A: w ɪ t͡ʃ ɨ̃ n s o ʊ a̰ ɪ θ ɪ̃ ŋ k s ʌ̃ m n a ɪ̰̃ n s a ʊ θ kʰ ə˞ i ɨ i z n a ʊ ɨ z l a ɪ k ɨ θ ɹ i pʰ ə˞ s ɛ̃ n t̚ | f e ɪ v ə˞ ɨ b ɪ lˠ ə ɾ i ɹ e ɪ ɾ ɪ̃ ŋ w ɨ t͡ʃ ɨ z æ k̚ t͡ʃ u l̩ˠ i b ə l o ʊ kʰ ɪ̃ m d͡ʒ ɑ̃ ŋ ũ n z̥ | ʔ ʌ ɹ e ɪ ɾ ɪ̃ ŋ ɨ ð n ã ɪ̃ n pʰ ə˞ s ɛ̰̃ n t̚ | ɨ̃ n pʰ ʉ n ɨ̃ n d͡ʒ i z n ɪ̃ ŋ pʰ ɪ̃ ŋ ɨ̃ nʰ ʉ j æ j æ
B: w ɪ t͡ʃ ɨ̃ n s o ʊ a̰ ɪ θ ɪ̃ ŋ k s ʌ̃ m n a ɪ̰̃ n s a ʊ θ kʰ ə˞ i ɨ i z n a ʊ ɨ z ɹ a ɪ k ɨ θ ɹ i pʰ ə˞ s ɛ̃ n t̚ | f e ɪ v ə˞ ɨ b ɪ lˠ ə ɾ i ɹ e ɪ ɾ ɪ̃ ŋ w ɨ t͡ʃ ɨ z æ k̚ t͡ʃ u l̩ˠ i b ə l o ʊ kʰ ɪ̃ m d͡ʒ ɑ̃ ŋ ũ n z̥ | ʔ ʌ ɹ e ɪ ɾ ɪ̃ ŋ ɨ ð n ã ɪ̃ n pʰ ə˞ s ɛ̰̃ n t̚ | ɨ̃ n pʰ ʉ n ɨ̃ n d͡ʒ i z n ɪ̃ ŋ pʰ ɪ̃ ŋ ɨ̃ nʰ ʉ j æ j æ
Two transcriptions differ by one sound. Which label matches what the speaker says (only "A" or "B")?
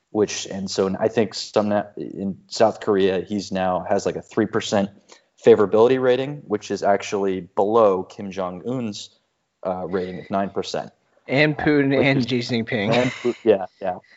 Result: A